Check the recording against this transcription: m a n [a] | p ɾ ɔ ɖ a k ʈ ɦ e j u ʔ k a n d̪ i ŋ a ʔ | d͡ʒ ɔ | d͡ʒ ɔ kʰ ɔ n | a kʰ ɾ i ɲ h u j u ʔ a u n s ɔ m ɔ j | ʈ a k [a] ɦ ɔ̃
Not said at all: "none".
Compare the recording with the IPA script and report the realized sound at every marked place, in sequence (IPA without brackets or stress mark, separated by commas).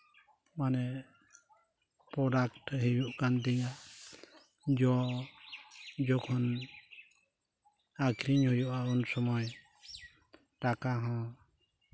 ɛ, a